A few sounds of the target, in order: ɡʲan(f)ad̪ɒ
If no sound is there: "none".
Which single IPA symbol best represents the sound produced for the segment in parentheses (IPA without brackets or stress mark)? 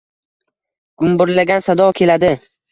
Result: s